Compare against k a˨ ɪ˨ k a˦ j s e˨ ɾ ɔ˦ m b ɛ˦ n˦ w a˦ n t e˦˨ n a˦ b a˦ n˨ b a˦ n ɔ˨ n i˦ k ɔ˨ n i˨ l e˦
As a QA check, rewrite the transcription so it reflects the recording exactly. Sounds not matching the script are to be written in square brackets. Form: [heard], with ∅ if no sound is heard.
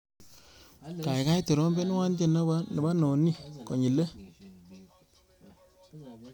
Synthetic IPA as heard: k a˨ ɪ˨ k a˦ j [t] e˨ ɾ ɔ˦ m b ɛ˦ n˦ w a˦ n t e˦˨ n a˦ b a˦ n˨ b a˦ n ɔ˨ n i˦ k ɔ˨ [ɲ] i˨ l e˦